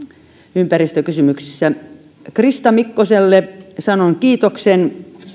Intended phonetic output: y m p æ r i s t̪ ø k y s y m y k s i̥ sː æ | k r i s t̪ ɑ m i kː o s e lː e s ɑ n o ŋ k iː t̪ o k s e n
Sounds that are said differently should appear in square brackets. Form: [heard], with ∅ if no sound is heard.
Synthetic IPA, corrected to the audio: y m p æ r i s t̪ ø k y s y m y k s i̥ sː æ | k r i s t̪ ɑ m i kː o s e lː e s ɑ n o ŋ k iː t̪ o k s e n